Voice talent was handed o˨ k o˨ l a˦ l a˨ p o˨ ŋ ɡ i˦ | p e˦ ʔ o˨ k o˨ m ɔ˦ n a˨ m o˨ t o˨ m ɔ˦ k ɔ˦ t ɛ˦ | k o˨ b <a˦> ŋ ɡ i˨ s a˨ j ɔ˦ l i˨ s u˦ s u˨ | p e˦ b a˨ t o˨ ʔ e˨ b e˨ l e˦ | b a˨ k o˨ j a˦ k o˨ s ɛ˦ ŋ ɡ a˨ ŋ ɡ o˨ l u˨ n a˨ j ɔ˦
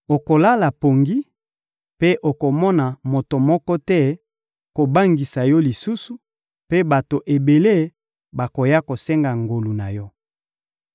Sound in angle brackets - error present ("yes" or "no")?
no